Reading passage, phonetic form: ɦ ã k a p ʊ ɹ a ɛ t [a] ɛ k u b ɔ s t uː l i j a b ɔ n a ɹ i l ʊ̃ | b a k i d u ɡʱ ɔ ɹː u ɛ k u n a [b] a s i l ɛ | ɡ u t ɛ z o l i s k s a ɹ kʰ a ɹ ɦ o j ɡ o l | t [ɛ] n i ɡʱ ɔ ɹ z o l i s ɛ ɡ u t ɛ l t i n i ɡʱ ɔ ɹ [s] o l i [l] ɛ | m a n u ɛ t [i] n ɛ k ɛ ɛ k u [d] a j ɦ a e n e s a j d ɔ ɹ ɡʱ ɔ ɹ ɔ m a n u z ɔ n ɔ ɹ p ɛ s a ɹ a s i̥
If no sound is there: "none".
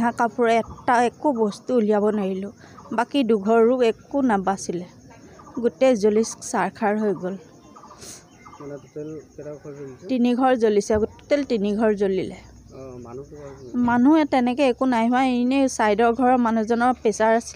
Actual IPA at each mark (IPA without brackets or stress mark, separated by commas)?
a, b, i, z, l, ɛ, n